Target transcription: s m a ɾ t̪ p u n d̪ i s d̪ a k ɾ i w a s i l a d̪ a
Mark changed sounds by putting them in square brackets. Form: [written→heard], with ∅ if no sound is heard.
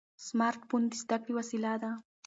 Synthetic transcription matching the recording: s m a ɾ t̪ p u n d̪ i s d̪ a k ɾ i w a s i l a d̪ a